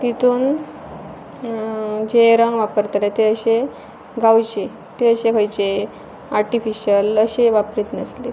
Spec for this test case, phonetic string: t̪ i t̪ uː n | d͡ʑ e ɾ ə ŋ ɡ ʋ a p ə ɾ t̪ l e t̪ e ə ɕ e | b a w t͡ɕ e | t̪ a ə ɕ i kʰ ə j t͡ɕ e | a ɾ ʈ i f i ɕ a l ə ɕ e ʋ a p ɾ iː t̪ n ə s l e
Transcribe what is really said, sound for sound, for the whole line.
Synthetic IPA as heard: t̪ i t̪ uː n | d͡ʑ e ɾ ə ŋ ɡ ʋ a p ə ɾ t̪ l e t̪ e ə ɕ e | ɡ a w t͡ɕ e | t̪ e ə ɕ e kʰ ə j t͡ɕ e | a ɾ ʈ i f i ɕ ə l ə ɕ e ʋ a p ɾ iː t̪ n ə s l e

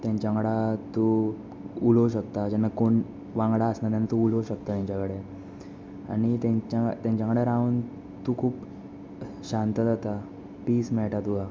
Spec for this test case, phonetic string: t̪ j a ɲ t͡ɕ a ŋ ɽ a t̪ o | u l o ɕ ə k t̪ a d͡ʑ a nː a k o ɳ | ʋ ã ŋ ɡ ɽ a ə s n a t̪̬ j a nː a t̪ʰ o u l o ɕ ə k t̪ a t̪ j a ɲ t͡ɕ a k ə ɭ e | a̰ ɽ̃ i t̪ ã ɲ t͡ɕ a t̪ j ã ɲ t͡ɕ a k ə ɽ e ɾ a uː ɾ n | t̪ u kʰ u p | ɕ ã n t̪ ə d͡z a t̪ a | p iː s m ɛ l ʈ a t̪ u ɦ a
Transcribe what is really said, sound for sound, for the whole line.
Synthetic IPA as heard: t̪ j a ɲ t͡ɕ a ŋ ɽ a t̪ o | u l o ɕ ə k t̪ a d͡ʑ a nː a k o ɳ | ʋ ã ŋ ɡ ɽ a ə s n a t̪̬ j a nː a t̪ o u l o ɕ ə k t̪ a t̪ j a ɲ t͡ɕ a k ə ɽ e | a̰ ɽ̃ i t̪ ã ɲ t͡ɕ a t̪ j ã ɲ t͡ɕ a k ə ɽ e ɾ a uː n | t̪ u kʰ uː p | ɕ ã n t̪ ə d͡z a t̪ a | p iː s m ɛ ɭ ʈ a t̪ u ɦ a

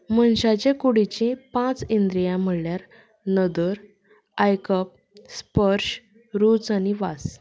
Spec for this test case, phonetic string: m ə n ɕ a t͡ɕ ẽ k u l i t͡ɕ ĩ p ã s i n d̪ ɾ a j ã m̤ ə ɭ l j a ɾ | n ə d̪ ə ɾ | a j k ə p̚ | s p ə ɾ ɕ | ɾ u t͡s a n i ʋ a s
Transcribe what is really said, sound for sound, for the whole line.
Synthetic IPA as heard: m ə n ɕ a t͡ɕ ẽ k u ɽ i t͡ɕ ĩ p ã t͡s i n d̪ ɾ i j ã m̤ ə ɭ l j a ɾ | n ə d̪ ə ɾ | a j k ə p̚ | s p ə ɾ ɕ | ɾ u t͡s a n i ʋ a s

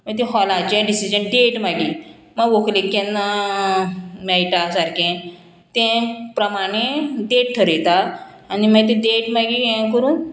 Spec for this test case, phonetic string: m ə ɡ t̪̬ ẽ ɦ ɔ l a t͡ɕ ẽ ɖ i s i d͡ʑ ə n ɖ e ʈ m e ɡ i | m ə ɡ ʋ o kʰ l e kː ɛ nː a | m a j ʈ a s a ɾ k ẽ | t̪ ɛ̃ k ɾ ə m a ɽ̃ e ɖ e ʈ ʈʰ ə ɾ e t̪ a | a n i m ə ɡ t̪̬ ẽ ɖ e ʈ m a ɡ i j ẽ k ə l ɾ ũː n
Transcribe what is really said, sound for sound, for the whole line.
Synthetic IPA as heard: m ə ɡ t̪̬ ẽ ɦ ɔ l a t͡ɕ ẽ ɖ i s i d͡ʑ ə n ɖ e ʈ m a ɡ i | m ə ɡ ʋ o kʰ l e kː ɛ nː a | m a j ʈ a s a ɾ k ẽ | t̪ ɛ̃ p ɾ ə m a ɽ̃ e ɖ e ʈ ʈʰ ə ɾ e t̪ a | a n i m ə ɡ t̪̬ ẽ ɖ e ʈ m a ɡ i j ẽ k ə ɾ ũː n

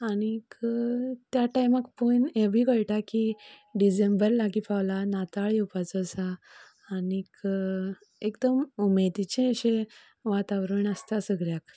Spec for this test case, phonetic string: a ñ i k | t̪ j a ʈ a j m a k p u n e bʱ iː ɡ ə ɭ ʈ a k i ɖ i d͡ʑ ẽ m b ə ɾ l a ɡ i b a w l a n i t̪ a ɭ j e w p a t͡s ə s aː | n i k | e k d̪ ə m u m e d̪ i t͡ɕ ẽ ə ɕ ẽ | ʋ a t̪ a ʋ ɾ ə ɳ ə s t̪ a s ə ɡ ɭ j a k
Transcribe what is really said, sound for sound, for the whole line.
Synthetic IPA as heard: a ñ i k | t̪ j a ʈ a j m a k p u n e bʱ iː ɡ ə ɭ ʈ a k i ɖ i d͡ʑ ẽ m b ə ɾ l a ɡ i p a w l a n a t̪ a ɭ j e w p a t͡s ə s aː | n i k | e k d̪ ə m u m e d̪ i t͡ɕ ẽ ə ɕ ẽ | ʋ a t̪ a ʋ ɾ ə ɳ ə s t̪ a s ə ɡ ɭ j a k

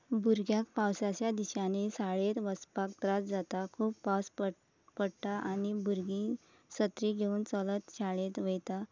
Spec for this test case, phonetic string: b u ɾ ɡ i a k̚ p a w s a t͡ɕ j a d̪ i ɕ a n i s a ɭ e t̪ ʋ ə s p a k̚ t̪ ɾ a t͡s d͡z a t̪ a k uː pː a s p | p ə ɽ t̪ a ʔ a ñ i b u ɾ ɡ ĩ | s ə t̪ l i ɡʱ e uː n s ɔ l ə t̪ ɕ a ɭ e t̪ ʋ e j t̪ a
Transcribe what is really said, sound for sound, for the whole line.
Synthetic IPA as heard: b u ɾ ɡ j a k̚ p a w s a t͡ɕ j a d̪ i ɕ a n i s a ɭ e t̪ ʋ ə s p a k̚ t̪ ɾ a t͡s d͡z a t̪ a kʰ uː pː a s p | p ə ɽ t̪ a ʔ a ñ i b u ɾ ɡ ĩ | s ə t̪ ɾ i ɡʱ e uː n t͡s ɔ l ə t̪ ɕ a ɭ e t̪ ʋ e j t̪ a

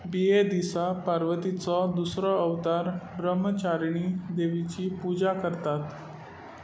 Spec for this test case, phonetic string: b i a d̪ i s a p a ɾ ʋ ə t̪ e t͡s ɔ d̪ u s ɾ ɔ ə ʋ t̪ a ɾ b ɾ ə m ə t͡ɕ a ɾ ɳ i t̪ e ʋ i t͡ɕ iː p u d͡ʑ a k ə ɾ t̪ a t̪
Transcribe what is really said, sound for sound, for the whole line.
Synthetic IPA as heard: b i e d̪ i s a p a ɾ ʋ ə t̪ i t͡s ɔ d̪ u s ɾ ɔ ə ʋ t̪ a ɾ b ɾ ə m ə t͡ɕ a ɾ ɳ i d̪ e ʋ i t͡ɕ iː p u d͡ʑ a k ə ɾ t̪ a t̪

